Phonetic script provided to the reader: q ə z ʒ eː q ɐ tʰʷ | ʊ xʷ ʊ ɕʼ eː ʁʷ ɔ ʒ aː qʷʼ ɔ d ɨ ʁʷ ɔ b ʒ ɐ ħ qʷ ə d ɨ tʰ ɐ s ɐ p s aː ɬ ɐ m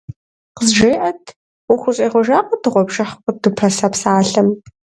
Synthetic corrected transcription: q ə z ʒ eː ʔ ɐ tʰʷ | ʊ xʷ ʊ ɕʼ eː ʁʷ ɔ ʒ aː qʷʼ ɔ d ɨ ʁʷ ɔ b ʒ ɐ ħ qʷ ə d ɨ pʰ ɐ s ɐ p s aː ɬ ɐ m